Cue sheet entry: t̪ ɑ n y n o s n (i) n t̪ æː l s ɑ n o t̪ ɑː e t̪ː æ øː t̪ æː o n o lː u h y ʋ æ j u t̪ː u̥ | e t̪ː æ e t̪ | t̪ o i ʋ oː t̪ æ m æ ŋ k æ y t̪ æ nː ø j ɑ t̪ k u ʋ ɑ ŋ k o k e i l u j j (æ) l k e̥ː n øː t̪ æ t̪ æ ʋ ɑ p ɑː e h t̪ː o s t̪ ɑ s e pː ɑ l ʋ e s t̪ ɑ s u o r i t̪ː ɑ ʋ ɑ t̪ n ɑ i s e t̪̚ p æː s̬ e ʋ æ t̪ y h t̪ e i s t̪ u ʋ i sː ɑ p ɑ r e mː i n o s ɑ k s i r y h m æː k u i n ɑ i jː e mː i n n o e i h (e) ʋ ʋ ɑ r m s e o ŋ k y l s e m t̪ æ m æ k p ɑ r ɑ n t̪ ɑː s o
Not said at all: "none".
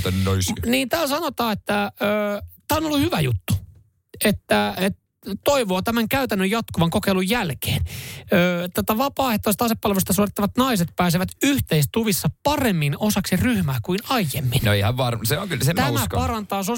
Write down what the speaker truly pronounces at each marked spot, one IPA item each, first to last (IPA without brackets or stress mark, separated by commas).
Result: iː, æ, æ